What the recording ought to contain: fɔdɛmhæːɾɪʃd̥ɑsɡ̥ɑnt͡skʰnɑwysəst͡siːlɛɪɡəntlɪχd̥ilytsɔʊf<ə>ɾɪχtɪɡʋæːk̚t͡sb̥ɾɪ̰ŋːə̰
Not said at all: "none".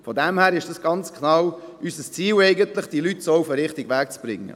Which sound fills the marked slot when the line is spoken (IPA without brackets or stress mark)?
ə